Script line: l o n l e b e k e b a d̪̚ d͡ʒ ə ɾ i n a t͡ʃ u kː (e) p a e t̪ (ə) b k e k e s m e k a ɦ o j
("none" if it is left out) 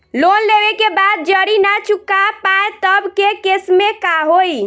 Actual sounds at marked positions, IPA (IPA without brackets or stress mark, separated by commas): a, ə